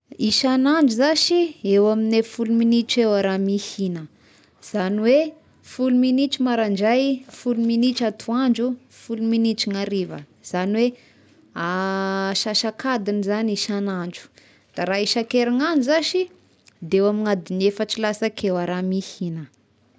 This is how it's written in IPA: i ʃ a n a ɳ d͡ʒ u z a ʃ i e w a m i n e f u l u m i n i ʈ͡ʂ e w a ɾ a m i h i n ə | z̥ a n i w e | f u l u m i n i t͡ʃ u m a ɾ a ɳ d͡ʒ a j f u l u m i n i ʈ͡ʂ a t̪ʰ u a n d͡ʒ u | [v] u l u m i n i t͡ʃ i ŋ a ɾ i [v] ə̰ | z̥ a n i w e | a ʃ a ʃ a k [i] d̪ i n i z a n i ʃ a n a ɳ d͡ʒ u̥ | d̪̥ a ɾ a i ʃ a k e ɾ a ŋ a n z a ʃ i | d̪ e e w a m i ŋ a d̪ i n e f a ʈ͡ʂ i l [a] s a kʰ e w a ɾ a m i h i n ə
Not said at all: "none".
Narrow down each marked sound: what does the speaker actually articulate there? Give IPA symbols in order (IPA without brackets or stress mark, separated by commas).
f, v, a, a